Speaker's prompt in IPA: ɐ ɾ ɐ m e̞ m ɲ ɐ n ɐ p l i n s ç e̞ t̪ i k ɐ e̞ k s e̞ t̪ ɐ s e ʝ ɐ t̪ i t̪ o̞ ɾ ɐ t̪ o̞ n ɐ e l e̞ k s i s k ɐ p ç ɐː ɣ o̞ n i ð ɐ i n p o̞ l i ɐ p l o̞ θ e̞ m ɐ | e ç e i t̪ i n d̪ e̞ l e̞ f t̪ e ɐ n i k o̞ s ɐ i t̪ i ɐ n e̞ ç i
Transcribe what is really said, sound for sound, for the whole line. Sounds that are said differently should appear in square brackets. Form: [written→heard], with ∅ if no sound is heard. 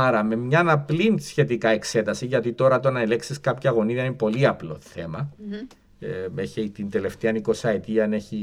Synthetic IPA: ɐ ɾ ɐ m e̞ m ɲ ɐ n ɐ p l i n s ç e̞ t̪ i k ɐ e̞ k s e̞ t̪ ɐ s [e→i] ʝ ɐ t̪ i t̪ o̞ ɾ ɐ t̪ o̞ n ɐ e l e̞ k s i s k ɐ p ç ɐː ɣ o̞ n i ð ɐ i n p o̞ l i ɐ p l o̞ θ e̞ m ɐ | e ç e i t̪ i n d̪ e̞ l e̞ f t̪ e ɐ n i k o̞ s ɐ [i→e] t̪ i ɐ n e̞ ç i